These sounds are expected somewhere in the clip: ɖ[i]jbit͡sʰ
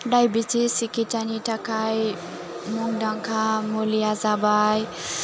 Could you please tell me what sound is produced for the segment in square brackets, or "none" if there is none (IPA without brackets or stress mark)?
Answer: a